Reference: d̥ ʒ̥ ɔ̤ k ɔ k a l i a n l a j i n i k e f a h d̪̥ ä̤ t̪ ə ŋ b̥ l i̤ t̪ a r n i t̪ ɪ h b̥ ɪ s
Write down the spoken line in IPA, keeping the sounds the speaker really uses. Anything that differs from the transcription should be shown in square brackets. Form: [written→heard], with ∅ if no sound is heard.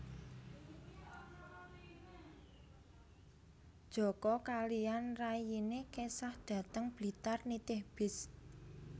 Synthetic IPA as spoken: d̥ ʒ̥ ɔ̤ k ɔ k a l i a n [l→r] a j i n [i→e] k e [f→s] a h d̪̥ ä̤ t̪ ə ŋ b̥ l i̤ t̪ a r n i t̪ ɪ h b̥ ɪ s